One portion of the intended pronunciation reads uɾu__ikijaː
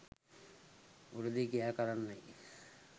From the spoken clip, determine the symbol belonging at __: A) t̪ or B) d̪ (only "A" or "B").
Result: B